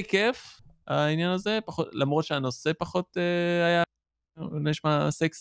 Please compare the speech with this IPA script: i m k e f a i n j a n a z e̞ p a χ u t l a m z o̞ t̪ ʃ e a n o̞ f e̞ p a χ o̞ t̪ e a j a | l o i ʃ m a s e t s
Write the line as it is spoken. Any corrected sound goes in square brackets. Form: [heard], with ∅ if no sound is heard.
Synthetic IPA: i [∅] k e f a i n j a n a z e̞ p a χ [o] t l a m [ʁ] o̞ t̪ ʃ e a n o̞ [s] e̞ p a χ o̞ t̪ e a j a | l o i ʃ m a s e [k] s